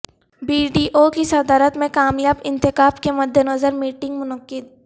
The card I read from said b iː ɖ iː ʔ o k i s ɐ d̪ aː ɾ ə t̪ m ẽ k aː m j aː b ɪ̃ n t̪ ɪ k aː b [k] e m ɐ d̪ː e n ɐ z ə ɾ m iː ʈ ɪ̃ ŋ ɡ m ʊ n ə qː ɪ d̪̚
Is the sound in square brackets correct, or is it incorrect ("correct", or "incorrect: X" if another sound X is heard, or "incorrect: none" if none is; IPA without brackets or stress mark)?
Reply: correct